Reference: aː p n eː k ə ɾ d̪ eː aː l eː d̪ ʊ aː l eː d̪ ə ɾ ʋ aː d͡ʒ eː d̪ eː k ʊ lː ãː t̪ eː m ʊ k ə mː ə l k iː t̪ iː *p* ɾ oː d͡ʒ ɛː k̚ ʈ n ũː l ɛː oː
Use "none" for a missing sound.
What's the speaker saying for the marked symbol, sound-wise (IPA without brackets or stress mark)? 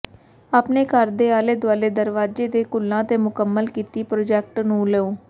p